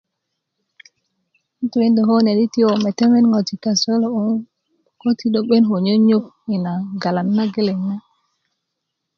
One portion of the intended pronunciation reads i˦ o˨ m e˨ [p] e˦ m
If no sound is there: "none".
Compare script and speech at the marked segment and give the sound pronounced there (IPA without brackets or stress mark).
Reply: t